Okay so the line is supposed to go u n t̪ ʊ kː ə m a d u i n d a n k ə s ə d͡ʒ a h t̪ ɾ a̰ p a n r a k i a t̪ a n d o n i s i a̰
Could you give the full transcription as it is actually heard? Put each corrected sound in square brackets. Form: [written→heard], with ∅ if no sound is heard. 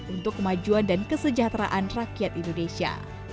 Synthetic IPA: u n t̪ ʊ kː ə m a [d→d͡ʒ] u [i→a] n d a n k ə s ə d͡ʒ a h t̪ ɾ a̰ [p→ʔ] a n r a k i a t̪ [a→i] n d o n [i→e] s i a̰